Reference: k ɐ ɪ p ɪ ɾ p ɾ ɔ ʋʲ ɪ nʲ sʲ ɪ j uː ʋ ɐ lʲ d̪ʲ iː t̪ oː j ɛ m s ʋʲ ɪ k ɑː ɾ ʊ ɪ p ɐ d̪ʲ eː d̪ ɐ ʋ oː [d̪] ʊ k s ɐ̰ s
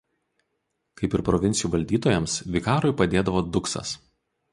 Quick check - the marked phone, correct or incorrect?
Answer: correct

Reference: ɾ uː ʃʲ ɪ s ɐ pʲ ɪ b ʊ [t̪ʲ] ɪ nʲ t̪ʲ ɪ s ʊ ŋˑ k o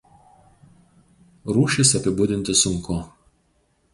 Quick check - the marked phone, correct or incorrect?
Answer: incorrect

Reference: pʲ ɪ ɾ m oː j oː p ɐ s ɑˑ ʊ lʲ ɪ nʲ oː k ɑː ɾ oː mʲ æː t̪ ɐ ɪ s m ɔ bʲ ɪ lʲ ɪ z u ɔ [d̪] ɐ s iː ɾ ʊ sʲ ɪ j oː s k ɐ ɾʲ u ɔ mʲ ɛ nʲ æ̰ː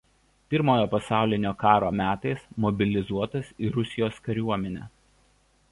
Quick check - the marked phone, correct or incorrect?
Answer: incorrect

